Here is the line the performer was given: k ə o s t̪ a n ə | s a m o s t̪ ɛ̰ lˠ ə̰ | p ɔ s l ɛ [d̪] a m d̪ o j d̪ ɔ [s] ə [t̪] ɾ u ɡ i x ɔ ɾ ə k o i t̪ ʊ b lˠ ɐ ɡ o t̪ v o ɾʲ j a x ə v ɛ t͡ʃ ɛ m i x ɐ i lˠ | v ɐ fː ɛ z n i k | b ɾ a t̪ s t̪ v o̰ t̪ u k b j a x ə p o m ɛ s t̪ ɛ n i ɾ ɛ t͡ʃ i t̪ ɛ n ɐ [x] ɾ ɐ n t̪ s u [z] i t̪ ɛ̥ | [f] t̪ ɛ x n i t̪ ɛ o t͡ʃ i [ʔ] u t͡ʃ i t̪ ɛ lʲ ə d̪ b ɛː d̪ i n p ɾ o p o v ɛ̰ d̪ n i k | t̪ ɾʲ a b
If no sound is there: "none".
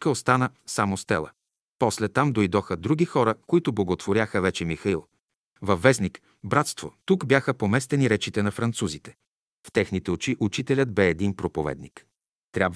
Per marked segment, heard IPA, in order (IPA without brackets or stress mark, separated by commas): t̪, x, d̪, f, z, f, ʔ